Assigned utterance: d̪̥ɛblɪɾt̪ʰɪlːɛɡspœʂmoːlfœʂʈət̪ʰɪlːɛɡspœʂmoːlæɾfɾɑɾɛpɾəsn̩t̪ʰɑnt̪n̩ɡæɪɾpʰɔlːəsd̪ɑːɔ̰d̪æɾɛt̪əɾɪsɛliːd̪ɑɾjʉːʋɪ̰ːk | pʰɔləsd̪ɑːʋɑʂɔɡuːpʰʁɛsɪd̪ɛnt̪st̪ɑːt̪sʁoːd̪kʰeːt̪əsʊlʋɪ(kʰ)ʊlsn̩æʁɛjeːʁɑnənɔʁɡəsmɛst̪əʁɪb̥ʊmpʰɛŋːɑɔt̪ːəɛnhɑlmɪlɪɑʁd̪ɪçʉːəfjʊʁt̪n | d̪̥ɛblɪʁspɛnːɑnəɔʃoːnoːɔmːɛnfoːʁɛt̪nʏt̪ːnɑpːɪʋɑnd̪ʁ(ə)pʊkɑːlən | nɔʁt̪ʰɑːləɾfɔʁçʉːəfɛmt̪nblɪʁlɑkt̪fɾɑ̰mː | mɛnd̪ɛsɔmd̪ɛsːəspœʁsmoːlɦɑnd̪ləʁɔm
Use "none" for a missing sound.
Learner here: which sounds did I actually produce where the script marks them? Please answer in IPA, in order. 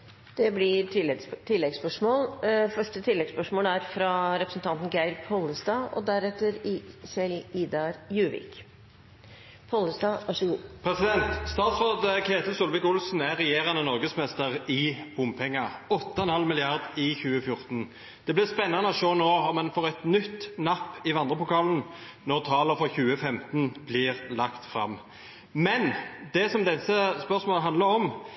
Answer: k, ə

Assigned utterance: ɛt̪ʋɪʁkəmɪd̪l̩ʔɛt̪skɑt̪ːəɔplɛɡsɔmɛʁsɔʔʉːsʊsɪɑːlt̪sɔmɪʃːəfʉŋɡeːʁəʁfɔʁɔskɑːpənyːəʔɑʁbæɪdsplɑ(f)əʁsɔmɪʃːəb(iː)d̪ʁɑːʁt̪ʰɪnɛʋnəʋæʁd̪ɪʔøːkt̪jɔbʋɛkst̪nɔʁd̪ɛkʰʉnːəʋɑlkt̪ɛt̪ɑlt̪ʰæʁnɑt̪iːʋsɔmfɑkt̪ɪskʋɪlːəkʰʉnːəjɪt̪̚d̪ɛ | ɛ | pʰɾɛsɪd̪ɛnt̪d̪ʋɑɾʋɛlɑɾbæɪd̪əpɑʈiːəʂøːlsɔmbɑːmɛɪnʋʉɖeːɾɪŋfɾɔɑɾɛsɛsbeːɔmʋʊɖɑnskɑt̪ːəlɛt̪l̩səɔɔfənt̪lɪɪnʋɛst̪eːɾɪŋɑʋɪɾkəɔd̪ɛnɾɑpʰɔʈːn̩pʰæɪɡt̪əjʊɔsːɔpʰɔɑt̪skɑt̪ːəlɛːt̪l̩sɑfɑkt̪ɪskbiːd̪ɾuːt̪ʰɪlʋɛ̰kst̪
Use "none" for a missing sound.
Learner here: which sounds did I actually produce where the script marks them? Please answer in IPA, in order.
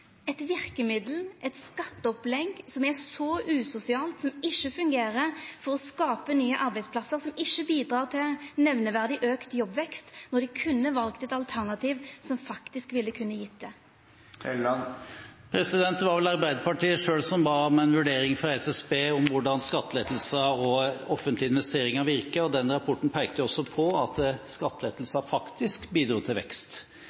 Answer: s, iː

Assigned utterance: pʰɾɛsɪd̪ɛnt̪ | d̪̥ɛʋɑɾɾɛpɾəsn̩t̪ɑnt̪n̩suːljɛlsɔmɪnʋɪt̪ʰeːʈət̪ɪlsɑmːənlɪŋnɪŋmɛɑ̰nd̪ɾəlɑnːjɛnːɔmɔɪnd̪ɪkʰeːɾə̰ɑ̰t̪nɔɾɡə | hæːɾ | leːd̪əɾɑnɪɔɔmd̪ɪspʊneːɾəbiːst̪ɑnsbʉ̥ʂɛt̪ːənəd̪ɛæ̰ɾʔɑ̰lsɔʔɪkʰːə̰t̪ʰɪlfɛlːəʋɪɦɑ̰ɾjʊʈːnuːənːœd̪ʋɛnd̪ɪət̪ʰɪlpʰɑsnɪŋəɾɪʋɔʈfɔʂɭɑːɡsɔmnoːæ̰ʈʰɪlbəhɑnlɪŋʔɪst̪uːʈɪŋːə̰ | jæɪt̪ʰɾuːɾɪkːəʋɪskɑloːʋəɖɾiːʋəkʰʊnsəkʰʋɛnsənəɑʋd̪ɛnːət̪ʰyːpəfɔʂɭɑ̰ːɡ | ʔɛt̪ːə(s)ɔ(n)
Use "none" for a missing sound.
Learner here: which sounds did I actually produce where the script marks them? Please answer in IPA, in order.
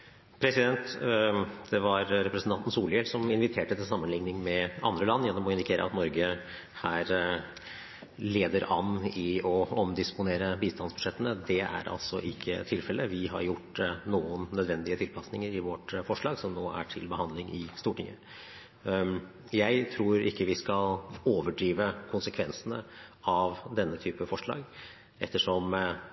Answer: ʂ, m

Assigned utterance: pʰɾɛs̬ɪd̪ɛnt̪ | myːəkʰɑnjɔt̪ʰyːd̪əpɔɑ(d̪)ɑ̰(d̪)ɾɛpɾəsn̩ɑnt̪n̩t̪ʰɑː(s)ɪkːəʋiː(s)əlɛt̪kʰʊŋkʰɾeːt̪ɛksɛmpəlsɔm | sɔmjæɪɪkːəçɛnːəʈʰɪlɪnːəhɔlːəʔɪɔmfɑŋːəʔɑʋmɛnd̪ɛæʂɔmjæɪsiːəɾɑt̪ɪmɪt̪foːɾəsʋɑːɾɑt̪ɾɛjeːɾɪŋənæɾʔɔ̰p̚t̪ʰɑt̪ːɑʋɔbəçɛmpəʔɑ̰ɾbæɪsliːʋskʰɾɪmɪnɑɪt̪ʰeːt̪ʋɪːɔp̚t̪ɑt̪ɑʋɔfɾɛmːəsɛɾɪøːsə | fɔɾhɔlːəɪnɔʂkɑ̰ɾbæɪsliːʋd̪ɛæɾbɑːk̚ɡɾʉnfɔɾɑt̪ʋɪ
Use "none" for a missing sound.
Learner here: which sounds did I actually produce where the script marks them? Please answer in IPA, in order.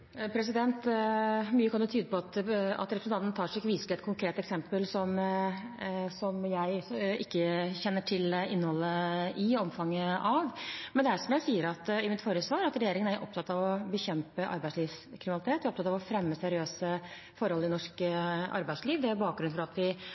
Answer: t̪, t̪, ʂ, s

